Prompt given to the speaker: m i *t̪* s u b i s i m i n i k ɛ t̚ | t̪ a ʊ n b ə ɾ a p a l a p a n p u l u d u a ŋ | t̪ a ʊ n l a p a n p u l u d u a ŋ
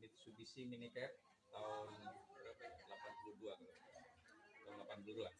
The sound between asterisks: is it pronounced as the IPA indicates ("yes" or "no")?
yes